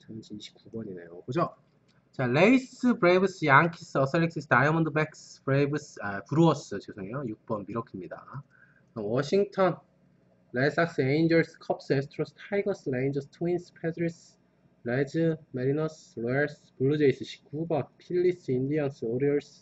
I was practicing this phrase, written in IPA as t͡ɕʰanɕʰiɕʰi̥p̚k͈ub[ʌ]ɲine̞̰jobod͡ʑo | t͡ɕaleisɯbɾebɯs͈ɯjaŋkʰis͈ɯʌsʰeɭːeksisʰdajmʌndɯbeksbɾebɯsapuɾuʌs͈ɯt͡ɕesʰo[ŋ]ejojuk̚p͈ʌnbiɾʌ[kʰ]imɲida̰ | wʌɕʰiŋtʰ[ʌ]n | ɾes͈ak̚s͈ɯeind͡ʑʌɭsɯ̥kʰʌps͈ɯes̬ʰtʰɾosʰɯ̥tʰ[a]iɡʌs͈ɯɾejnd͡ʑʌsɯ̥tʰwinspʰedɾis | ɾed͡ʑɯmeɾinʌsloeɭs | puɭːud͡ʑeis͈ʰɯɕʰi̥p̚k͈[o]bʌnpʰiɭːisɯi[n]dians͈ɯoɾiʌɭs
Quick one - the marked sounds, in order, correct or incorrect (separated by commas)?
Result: correct, correct, correct, correct, correct, incorrect, correct